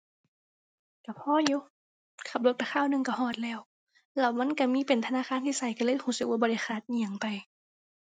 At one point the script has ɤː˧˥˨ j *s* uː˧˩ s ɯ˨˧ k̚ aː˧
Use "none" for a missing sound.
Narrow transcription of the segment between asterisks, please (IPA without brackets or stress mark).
h